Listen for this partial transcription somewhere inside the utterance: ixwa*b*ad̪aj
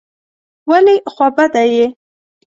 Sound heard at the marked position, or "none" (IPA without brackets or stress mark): b